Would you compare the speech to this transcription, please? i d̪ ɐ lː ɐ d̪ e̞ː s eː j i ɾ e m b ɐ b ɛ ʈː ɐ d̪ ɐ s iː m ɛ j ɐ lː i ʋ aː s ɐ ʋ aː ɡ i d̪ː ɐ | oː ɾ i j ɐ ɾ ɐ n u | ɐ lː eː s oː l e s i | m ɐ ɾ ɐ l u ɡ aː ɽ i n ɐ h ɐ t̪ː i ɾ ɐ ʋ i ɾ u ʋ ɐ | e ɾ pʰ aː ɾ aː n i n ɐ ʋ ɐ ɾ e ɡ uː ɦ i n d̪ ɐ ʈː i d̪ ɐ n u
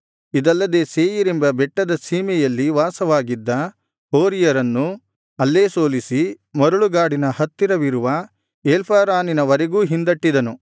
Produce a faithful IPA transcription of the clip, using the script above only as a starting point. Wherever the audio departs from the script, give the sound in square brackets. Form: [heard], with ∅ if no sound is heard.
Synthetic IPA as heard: i d̪ ɐ lː ɐ d̪ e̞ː s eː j i ɾ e m b ɐ b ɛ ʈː ɐ d̪ ɐ s iː m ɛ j ɐ lː i ʋ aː s ɐ ʋ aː ɡ i d̪ː ɐ | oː ɾ i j ɐ ɾ ɐ [nː] u | ɐ lː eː s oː l [i] s i | m ɐ ɾ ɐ [ɭ] u ɡ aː ɽ i n ɐ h ɐ t̪ː i ɾ ɐ ʋ i ɾ u ʋ ɐ | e [l] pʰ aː ɾ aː n i n ɐ ʋ ɐ ɾ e ɡ uː ɦ i n d̪ ɐ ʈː i d̪ ɐ n u